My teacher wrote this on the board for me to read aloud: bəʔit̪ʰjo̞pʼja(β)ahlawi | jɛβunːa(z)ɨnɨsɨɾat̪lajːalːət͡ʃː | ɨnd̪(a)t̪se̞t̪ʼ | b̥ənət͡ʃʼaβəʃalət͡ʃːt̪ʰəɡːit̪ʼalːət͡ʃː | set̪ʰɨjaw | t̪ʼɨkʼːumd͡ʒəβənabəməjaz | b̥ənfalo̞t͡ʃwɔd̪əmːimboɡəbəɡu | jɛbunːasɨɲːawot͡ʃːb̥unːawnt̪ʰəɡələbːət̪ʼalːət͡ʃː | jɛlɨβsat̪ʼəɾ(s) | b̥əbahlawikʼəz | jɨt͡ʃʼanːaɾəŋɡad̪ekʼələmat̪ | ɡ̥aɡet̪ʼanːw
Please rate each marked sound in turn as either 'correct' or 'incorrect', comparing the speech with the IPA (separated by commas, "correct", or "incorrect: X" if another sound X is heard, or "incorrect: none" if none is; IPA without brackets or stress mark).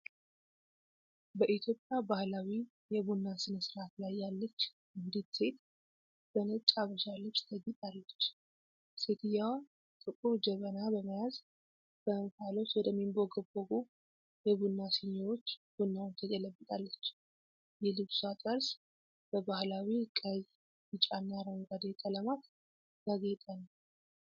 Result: incorrect: b, incorrect: s, incorrect: i, correct